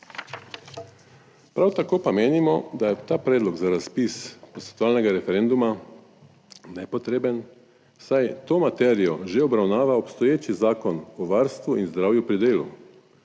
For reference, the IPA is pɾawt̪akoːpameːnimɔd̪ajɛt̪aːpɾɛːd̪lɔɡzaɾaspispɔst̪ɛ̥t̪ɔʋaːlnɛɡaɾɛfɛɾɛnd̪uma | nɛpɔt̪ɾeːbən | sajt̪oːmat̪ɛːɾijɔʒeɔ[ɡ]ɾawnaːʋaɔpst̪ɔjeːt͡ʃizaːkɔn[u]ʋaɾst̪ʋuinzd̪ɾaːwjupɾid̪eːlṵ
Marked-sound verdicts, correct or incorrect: incorrect, incorrect

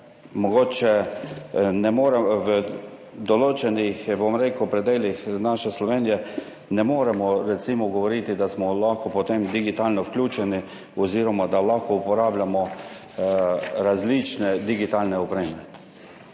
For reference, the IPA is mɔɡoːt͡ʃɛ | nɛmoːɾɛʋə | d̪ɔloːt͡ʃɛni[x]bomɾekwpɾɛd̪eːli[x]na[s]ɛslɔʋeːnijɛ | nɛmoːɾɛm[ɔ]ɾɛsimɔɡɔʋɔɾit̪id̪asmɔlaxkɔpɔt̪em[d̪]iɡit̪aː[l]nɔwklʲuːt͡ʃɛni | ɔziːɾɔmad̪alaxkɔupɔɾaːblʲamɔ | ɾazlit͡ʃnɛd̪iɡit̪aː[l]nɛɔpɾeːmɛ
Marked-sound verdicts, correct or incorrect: correct, correct, incorrect, correct, correct, correct, correct

